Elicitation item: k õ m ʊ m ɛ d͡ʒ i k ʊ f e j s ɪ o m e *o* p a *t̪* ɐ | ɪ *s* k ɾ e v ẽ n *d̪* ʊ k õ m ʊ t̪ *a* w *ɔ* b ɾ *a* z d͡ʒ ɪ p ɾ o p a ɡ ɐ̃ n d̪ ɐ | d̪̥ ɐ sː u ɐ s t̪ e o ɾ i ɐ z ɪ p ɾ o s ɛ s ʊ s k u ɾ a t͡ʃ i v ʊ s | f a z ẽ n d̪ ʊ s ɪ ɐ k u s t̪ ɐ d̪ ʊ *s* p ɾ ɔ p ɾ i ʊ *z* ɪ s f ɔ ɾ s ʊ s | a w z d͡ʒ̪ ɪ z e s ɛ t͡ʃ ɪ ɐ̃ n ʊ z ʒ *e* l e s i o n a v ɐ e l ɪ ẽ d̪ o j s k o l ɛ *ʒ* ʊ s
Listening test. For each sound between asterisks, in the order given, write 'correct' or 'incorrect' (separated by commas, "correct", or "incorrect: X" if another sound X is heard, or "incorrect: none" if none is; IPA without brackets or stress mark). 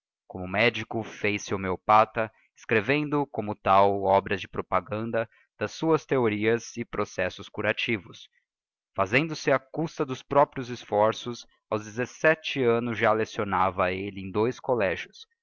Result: correct, correct, correct, correct, correct, correct, incorrect: ɐ, correct, correct, incorrect: a, correct